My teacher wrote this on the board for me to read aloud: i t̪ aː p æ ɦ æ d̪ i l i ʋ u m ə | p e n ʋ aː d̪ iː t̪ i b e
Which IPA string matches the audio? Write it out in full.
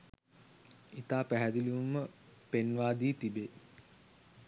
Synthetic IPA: i t̪ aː p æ ɦ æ d̪ i l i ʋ u m ə | p e n ʋ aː d̪ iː t̪ i b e